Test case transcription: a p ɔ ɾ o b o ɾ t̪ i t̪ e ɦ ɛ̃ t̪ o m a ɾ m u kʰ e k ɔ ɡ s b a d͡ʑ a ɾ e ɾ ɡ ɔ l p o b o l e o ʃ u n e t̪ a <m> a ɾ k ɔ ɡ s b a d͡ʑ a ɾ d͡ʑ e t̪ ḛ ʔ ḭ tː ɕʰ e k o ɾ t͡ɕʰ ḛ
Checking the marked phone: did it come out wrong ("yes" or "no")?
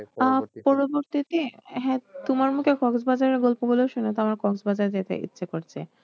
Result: no